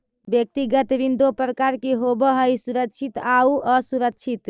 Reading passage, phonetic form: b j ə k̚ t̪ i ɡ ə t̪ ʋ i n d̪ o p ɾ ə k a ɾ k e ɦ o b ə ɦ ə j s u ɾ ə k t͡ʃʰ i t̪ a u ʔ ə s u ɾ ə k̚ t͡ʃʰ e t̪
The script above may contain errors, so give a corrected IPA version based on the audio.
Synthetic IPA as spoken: b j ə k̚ t̪ i ɡ ə t̪ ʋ i n d̪ o p ɾ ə k a ɾ k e ɦ o b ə ɦ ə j s u ɾ ə k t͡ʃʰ i t̪ a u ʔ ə s u ɾ ə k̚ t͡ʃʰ i t̪

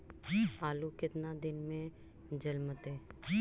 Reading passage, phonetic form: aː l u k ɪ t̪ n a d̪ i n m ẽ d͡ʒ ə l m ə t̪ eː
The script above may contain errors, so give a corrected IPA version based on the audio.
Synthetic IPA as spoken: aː l u k ɪ t̪ n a d̪ ɪ n m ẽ d͡ʒ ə l m ə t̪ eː

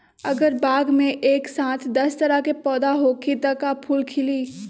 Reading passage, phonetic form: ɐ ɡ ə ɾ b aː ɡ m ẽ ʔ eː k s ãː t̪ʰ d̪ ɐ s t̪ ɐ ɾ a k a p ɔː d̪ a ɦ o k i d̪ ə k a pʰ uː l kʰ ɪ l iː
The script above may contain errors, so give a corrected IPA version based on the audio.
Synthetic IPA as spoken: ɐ ɡ ə ɾ b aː ɡ m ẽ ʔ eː k s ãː t̪ʰ d̪ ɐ s t̪ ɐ ɾ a k e p ɔː d̪ a ɦ o k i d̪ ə k a pʰ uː l kʰ ɪ l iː

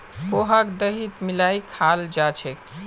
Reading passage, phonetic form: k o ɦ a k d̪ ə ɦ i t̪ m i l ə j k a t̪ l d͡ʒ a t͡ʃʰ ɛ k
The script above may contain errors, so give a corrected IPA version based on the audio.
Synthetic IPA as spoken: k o ɦ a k d̪ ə ɦ i t̪ m i l a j kʰ a l d͡ʒ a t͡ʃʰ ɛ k

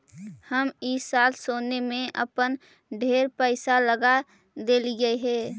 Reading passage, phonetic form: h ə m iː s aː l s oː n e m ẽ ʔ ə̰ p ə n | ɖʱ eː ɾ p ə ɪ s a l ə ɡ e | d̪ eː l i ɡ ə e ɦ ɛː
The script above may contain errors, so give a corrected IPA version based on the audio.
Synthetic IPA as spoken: h ə m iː s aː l s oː n e m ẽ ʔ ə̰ p ə n | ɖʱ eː ɾ p ə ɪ s a l ə ɡ a | d̪ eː l i ɡ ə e ɦ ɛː

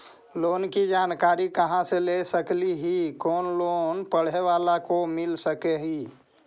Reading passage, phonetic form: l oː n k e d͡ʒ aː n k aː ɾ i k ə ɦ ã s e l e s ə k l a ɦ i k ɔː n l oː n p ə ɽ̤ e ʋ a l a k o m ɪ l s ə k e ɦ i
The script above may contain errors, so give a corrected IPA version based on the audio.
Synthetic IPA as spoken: l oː n k i d͡ʒ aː n k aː ɾ i k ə ɦ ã s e l e s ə k l i ɦ i k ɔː n l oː n p ə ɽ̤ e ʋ a l a k o m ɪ l s ə k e ɦ i

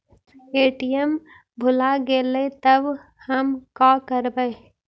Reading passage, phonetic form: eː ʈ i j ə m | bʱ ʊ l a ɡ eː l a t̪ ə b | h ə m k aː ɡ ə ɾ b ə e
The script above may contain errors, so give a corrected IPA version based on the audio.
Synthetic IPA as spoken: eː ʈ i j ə m | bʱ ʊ l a ɡ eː l e t̪ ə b | h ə m k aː k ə ɾ b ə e

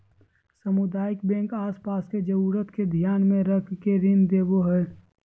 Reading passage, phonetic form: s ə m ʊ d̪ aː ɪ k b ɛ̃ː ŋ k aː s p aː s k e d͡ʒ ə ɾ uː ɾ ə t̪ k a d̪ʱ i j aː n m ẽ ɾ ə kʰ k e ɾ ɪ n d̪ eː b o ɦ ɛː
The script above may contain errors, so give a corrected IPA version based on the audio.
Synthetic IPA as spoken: s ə m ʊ d̪ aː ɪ k b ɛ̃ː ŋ k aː s p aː s k e d͡ʒ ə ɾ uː ɾ ə t̪ k e d̪ʱ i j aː n m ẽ ɾ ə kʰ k e ɾ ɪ n d̪ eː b o ɦ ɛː

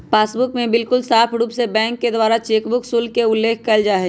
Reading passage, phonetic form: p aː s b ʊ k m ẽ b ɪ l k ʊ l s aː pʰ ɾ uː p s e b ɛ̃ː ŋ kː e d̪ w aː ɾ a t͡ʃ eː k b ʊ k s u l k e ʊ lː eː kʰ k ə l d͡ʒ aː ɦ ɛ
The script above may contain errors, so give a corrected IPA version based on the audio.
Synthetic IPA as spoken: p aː s b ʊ k m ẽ b ɪ l k ʊ l s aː pʰ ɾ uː p s e b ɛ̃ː ŋ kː e d̪ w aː ɾ a t͡ʃ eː k b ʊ k s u l k e ʊ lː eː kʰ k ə l d͡ʒ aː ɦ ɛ

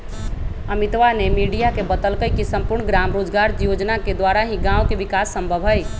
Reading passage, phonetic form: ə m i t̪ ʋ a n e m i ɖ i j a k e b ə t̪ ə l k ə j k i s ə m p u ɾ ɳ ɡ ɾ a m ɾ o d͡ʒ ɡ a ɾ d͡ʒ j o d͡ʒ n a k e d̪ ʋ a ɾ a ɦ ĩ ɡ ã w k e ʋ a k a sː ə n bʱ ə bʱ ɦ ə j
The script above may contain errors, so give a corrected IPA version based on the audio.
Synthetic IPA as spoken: ə m i t̪ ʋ a n e m i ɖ i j a k e b ə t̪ ə l k ə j k i s ə m p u ɾ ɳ ɡ ɾ a m ɾ o d͡ʒ ɡ a ɾ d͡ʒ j o d͡ʒ n a k e d̪ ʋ a ɾ a ɦ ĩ ɡ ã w k e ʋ i k a sː ə m bʱ ə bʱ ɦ ə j

